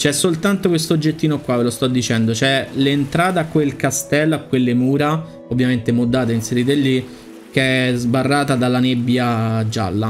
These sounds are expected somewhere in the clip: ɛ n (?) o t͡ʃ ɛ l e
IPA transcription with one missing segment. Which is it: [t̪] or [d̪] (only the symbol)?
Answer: d̪